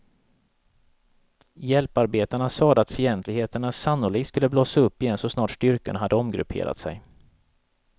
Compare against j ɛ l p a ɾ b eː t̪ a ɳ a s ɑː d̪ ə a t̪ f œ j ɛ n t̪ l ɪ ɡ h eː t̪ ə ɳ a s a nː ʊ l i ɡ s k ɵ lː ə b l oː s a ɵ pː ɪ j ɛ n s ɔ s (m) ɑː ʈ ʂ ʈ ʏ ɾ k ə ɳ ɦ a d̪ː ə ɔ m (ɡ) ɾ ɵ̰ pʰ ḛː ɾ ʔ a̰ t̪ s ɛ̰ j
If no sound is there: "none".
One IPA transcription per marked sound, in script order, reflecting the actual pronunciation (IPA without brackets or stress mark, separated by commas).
n, ɡ